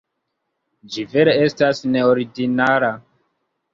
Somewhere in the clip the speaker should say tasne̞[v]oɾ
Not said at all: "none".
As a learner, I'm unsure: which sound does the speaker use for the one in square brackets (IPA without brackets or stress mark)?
none